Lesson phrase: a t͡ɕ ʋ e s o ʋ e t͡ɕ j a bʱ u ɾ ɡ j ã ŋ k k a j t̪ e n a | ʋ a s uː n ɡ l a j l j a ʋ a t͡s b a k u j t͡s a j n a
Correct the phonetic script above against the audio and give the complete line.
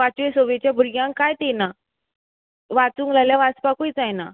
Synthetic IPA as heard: a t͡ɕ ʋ e s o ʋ e t͡ɕ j a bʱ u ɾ ɡ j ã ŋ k k a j t̪ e n a | ʋ a t͡s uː ŋ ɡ l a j l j a ʋ a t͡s p a k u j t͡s a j n a